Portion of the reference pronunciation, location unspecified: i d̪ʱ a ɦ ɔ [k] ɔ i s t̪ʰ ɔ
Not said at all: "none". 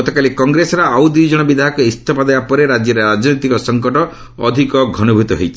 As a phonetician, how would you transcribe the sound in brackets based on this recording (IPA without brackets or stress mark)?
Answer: k